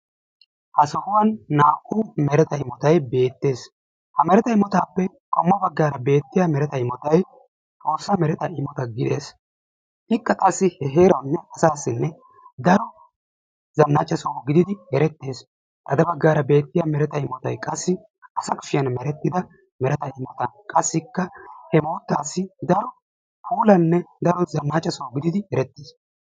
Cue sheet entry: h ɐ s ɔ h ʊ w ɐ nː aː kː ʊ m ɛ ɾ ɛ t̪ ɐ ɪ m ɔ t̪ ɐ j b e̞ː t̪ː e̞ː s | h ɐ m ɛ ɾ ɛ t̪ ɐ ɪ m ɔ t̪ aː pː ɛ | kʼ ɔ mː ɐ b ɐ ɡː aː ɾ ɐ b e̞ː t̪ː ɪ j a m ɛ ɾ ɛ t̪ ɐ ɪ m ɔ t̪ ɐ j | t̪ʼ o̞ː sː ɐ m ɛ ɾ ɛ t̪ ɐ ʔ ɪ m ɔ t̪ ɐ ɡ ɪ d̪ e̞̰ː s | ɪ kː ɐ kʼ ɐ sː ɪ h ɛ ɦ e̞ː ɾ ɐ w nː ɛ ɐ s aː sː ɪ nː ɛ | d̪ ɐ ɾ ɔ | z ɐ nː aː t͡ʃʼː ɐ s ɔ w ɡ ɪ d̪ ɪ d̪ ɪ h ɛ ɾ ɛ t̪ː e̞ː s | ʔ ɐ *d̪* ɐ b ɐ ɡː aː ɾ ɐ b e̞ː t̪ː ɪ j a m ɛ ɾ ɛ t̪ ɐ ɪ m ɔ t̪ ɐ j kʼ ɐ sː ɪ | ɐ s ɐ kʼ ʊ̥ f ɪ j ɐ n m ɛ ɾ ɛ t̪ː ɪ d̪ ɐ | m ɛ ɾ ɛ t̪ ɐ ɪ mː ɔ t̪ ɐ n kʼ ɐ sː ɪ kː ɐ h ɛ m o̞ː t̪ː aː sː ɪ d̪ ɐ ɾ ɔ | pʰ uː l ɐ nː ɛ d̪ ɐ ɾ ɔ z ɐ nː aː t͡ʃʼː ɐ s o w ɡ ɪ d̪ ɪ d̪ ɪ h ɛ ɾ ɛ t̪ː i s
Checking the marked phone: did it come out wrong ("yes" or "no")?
no